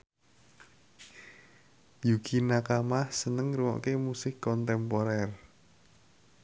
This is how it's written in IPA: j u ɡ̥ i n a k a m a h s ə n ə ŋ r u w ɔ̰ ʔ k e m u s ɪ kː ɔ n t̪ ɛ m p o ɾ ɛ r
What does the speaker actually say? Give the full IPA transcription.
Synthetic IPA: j u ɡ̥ i n a k a m a h s ə n ə ŋ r u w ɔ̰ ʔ k e m u s ɪ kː ɔ n t̪ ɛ m p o ɾ ɛ r